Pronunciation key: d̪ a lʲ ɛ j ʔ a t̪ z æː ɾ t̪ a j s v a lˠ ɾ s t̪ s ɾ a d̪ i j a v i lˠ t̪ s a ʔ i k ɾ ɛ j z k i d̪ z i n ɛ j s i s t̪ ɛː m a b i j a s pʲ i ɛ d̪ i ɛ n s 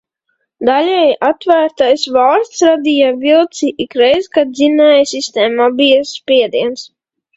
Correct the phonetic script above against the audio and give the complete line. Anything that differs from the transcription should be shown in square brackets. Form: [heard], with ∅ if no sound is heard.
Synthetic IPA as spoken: d̪ a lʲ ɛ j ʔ a t̪ [v] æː ɾ t̪ a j s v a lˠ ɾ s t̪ s ɾ a d̪ i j a v i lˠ t̪ s [i] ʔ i k ɾ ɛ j z k [a] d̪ z i n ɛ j s i s t̪ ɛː m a b i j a s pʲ i ɛ d̪ i ɛ n s